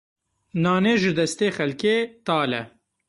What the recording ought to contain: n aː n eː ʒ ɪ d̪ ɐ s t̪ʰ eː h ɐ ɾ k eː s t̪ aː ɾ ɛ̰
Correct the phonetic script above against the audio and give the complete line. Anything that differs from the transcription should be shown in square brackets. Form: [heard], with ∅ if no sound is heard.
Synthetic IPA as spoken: n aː n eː ʒ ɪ d̪ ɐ s [t̪] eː [x] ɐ [l] k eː [∅] t̪ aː [l] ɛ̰